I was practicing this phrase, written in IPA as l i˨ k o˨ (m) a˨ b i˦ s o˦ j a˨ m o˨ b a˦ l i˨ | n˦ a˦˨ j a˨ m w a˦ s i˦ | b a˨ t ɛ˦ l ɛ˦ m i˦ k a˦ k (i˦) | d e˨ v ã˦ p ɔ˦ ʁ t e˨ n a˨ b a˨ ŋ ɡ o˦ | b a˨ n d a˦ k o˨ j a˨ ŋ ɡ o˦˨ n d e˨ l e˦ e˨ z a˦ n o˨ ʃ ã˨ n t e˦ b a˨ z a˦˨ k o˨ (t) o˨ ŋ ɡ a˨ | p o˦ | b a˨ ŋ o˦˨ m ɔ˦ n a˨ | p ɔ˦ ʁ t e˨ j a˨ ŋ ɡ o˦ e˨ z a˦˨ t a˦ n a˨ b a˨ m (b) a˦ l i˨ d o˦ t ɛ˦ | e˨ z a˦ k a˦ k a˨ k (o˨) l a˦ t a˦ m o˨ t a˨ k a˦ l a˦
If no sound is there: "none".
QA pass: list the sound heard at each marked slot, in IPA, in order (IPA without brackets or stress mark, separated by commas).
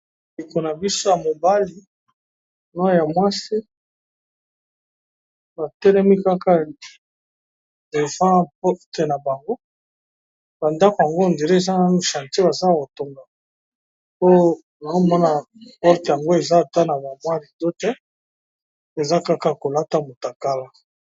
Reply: n, a˦, t, w, o˨